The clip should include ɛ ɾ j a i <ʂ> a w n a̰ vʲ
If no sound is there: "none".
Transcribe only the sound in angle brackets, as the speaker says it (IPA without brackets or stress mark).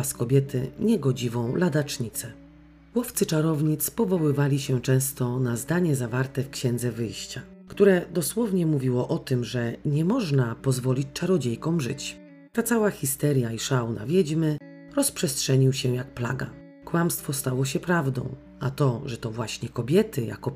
ʂ